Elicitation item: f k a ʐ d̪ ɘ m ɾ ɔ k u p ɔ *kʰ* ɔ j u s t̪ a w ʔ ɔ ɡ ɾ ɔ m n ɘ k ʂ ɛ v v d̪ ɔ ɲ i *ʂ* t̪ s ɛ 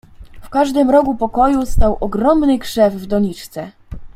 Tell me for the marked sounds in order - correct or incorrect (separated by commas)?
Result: incorrect, incorrect